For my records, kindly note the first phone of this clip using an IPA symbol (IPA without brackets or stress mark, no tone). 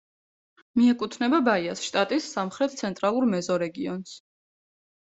m